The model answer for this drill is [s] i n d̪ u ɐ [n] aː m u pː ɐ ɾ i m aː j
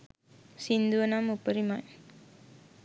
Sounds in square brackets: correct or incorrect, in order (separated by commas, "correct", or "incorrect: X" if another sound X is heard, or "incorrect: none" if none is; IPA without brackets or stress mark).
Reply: correct, correct